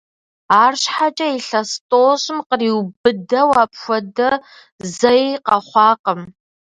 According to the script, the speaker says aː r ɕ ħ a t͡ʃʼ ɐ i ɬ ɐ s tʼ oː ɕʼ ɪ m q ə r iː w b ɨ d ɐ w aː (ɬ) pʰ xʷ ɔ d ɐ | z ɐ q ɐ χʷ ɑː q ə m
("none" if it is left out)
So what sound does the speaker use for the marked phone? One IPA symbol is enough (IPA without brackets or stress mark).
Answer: none